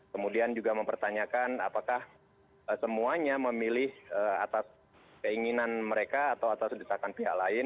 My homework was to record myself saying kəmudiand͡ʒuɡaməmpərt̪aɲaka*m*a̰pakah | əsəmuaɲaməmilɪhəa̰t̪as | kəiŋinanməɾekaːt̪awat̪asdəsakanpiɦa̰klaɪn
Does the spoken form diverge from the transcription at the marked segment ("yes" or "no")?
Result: yes